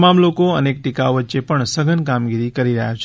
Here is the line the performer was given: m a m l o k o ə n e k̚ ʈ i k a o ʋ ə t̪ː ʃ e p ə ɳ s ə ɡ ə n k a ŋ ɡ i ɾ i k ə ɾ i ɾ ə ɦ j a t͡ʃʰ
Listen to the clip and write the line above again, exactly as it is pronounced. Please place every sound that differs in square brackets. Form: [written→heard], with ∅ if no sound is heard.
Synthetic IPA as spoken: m a m l o k o ə n e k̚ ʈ i k a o ʋ ə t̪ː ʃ e p ə ɳ s ə ɡ ə n k a [ŋ→m] ɡ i ɾ i k ə ɾ i ɾ ə ɦ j a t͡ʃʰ